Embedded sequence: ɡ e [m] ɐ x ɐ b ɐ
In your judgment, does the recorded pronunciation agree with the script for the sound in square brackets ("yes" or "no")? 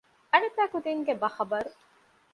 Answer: no